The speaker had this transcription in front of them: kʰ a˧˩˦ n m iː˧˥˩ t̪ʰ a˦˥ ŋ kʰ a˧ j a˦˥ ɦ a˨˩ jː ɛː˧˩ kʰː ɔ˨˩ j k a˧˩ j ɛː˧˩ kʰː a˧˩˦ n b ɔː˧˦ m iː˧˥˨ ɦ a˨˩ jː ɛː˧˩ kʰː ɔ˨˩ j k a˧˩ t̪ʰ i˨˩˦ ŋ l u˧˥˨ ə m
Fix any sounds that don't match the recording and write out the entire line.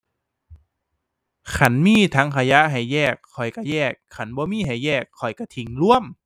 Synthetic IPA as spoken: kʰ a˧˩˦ n m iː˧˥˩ t̪ʰ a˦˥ ŋ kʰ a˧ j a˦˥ ɦ a˨˩ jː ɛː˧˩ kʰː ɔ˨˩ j k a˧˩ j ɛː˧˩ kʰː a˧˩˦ n b ɔː˧˦ m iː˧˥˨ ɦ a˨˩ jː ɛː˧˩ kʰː ɔ˨˩ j k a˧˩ t̪ʰ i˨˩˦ ŋ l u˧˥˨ ə m